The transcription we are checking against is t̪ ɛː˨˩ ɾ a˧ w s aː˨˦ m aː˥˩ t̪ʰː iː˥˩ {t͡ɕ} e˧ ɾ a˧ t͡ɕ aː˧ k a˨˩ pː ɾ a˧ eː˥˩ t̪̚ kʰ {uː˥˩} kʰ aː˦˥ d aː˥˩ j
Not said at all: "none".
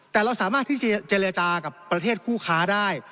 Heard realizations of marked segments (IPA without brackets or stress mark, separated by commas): t͡ɕ, uː˥˩